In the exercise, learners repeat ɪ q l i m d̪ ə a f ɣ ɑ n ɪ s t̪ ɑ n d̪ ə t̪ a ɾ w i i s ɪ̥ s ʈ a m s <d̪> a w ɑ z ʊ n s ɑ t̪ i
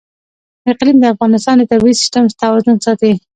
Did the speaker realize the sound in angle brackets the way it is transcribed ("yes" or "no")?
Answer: no